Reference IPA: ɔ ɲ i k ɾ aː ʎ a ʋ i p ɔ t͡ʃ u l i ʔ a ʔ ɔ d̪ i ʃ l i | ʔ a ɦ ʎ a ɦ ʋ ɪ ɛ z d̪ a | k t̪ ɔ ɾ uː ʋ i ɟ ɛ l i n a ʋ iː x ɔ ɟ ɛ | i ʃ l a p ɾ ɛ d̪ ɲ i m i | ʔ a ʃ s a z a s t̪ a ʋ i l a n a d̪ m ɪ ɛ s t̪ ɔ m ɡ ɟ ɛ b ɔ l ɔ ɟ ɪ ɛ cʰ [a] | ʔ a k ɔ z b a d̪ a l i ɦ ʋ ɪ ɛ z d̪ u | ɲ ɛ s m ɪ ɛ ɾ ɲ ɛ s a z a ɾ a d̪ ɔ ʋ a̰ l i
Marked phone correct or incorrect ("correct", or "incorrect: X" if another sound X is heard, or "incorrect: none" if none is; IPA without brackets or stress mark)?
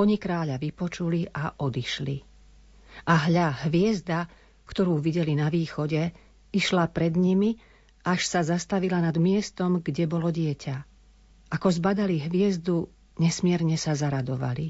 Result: correct